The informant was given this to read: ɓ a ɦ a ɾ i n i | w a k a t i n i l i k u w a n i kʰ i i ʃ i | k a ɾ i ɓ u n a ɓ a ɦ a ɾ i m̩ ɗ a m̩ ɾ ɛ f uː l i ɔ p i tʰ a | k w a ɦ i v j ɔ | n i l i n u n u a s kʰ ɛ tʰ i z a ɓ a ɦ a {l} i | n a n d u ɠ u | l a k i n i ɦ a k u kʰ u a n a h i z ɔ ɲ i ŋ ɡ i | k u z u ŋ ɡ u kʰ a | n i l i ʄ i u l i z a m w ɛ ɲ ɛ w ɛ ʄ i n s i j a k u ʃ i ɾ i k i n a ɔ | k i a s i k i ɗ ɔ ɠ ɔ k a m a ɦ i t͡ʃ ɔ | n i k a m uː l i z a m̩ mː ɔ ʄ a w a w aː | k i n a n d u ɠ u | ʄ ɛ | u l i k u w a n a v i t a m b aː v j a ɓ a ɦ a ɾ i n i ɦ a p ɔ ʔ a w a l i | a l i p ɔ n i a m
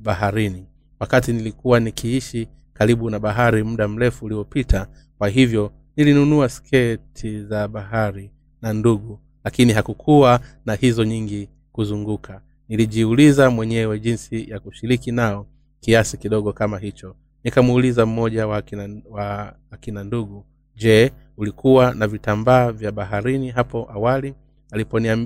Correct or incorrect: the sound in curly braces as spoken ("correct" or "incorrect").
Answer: incorrect